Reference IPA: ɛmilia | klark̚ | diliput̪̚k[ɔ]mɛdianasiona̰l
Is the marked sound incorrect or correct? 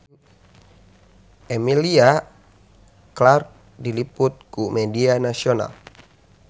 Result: incorrect